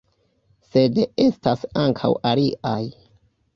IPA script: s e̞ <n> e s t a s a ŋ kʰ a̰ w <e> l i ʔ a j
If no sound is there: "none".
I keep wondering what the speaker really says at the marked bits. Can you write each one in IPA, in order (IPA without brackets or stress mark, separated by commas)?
d, a